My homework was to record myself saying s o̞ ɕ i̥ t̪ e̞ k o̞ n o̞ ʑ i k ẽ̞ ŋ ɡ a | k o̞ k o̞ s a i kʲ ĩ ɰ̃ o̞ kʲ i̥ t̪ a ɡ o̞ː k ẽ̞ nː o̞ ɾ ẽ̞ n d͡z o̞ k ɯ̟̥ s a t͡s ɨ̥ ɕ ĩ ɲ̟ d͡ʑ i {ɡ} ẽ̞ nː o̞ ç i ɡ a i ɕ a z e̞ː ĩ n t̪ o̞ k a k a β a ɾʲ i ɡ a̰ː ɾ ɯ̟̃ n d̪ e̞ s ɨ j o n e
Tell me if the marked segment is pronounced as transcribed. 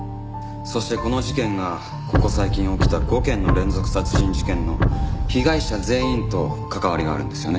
no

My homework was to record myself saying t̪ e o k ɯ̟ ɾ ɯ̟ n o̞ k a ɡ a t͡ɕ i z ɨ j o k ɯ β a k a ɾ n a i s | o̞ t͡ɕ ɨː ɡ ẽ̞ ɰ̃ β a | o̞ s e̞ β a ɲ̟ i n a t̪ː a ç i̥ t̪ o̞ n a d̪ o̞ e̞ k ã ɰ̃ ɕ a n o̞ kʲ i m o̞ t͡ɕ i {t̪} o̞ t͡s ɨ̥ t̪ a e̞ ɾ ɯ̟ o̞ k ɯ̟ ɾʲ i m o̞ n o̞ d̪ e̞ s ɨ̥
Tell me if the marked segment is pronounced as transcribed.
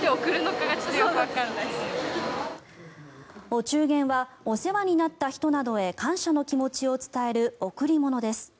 no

